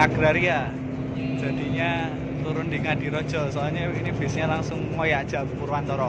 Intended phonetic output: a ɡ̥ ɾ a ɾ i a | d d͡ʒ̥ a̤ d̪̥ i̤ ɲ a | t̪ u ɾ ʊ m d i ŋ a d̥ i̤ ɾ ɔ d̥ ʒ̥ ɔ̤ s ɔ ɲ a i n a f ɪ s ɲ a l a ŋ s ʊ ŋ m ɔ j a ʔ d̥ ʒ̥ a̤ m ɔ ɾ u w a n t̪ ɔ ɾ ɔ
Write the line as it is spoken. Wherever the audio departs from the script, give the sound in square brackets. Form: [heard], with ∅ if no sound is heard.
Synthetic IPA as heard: a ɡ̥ ɾ a ɾ i a | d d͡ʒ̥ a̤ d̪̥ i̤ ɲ a | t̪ u ɾ ʊ [n] d i ŋ a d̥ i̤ ɾ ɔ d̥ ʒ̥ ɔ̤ s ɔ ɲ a i n [i] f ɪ s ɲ a l a ŋ s ʊ ŋ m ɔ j a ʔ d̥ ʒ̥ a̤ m [u] ɾ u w a n t̪ ɔ ɾ ɔ